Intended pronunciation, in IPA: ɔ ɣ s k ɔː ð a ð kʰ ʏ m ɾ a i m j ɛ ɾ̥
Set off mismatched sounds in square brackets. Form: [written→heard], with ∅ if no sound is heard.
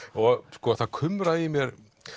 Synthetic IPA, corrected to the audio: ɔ ɣ s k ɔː [ð→θ] a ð kʰ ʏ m ɾ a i m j ɛ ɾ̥